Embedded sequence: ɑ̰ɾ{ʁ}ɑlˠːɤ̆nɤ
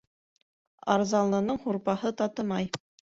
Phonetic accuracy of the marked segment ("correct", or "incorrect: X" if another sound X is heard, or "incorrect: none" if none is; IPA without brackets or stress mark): incorrect: z